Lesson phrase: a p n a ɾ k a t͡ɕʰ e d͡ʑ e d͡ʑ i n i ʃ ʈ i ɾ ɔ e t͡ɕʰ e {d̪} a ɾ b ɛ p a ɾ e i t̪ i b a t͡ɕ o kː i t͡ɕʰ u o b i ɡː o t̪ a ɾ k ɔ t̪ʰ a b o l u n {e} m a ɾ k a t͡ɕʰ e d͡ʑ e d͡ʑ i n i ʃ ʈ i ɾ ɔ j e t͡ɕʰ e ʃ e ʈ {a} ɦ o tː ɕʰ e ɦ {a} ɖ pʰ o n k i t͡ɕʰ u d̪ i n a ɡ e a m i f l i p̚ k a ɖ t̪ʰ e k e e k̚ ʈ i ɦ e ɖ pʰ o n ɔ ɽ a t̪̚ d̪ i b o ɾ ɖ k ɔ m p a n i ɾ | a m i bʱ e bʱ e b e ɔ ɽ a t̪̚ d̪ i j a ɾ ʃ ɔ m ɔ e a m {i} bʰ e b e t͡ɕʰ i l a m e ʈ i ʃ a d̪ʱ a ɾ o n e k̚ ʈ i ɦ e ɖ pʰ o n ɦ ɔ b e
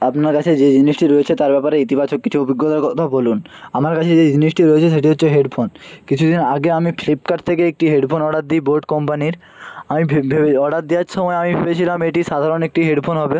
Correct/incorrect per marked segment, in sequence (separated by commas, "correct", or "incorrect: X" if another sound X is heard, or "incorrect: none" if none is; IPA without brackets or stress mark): incorrect: t̪, incorrect: a, incorrect: i, incorrect: e, correct